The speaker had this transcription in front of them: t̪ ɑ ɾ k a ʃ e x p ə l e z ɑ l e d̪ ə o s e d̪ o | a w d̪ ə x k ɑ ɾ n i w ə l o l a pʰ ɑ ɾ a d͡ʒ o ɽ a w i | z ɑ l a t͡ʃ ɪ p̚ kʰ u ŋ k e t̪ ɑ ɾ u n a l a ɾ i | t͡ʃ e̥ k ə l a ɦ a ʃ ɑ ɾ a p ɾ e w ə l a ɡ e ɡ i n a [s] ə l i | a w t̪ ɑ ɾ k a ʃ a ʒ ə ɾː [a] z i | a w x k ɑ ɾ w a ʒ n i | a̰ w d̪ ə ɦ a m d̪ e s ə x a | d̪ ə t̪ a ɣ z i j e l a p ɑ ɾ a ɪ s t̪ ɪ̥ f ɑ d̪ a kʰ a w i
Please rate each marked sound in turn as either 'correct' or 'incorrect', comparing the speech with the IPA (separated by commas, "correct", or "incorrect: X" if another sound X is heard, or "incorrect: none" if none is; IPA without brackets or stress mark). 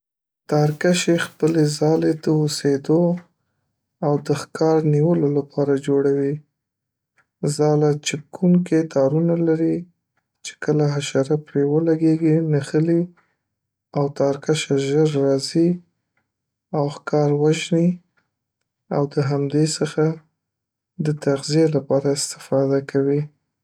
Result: incorrect: x, incorrect: ɑ